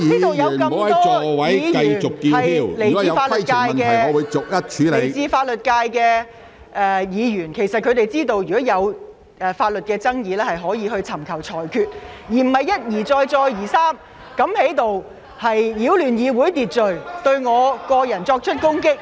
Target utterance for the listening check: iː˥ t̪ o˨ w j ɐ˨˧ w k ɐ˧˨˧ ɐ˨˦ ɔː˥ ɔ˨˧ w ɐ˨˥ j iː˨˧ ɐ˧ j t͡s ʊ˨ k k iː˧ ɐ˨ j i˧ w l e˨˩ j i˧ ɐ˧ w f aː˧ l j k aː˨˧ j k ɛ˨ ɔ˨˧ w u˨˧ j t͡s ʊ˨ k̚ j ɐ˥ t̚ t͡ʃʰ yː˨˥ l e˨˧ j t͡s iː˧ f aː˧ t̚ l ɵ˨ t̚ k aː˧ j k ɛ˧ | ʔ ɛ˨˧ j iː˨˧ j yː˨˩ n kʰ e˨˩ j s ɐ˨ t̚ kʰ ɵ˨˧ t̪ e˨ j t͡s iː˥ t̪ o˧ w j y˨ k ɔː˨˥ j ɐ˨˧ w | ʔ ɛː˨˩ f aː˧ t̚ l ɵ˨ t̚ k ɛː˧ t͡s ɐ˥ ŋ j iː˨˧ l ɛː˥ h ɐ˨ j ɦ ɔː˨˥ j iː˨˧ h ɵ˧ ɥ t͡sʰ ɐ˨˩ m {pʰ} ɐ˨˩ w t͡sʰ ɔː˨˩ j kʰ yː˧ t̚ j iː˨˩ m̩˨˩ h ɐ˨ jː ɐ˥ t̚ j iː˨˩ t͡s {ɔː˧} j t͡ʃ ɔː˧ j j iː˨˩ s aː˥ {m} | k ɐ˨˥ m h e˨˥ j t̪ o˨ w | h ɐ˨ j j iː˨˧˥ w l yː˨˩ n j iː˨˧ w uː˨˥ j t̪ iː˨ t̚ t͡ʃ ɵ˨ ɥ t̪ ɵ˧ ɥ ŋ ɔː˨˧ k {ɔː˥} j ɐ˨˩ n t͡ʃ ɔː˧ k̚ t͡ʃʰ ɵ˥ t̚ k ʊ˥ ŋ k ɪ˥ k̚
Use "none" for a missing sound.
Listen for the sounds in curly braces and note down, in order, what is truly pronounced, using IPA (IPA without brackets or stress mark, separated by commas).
kʰ, ɔː˧, m, ɔː˧